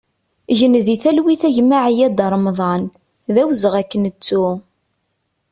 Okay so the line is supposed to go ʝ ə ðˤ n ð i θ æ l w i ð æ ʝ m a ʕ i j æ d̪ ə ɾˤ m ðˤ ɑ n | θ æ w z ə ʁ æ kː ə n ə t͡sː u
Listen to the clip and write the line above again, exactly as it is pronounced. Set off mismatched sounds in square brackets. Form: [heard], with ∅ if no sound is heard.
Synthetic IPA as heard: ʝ ə [∅] n ð i θ æ l w i [θ] æ ʝ m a ʕ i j æ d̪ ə ɾˤ m ðˤ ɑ n | [ð] æ w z ə ʁ æ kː ə n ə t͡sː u